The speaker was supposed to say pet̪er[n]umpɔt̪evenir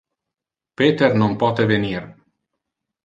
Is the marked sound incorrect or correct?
correct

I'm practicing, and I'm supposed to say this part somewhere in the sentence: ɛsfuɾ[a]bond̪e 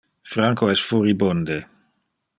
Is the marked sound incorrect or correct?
incorrect: i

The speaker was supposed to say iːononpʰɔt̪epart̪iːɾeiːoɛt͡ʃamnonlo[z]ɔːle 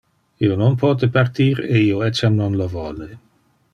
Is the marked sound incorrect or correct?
incorrect: v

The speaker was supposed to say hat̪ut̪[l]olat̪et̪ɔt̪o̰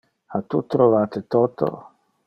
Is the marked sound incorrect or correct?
incorrect: ɾ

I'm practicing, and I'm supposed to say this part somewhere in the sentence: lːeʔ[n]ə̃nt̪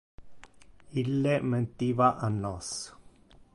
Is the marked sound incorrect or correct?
incorrect: m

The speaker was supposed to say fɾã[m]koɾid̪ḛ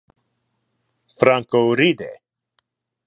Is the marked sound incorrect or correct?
incorrect: ŋ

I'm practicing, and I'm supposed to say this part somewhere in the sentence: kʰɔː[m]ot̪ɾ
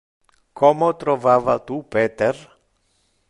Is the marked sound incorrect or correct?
correct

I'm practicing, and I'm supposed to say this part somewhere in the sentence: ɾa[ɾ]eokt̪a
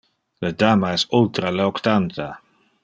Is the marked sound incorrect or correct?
incorrect: l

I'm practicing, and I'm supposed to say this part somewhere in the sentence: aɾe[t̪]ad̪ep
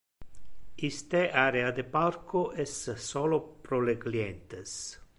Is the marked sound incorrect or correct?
incorrect: none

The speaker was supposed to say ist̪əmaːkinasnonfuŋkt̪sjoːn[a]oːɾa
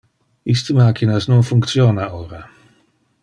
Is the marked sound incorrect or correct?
correct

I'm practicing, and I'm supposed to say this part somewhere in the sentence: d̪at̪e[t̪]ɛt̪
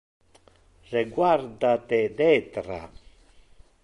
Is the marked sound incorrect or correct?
incorrect: d̪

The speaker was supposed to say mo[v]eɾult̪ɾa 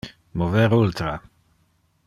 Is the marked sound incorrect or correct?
correct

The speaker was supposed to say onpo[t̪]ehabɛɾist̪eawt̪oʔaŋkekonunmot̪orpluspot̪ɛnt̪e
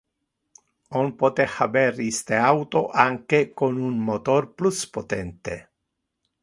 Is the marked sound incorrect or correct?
correct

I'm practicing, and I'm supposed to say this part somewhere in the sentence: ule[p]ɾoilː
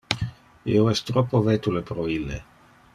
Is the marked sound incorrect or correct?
correct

